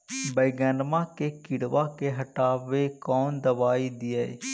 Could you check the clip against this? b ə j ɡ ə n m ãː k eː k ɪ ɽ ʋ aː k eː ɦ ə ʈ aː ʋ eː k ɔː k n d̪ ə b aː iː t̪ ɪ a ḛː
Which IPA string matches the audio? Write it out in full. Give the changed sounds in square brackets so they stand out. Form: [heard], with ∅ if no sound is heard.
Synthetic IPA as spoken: b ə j ɡ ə n m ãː k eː k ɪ ɽ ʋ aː k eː ɦ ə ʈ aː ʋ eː k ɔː [∅] n d̪ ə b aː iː [d̪] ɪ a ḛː